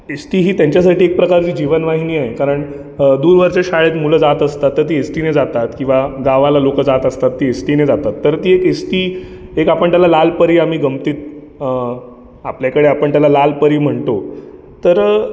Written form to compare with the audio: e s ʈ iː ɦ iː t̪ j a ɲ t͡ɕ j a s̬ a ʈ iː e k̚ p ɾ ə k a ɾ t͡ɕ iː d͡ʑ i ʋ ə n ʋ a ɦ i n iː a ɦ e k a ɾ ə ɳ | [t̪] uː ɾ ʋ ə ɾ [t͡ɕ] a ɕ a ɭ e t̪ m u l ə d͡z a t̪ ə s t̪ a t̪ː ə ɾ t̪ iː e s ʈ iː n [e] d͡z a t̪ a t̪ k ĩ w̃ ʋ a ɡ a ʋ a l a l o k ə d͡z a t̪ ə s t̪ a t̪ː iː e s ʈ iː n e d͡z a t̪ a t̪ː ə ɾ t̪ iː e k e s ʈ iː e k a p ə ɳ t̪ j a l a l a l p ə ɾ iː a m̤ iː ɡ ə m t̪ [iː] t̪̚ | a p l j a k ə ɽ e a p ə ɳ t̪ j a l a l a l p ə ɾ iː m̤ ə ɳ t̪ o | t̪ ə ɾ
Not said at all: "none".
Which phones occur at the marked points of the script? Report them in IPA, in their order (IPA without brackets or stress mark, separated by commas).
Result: d̪, t͡ɕ, e, iː